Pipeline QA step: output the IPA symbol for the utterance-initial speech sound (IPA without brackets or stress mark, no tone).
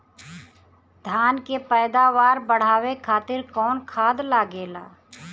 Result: d̪ʱ